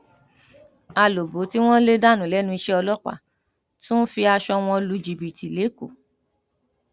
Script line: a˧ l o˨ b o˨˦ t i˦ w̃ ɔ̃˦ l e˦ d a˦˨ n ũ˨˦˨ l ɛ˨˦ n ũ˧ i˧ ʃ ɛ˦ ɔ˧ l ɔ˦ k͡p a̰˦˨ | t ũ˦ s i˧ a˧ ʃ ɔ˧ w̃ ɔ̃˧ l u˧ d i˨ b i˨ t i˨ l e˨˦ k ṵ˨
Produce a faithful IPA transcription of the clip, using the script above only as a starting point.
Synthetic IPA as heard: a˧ l o˨ b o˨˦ t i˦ w̃ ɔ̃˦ l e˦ d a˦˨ n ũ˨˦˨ l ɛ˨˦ n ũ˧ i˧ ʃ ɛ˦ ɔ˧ l ɔ˦ k͡p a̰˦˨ | t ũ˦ f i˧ a˧ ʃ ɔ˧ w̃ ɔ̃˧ l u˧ d͡ʒ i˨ b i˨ t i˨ l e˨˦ k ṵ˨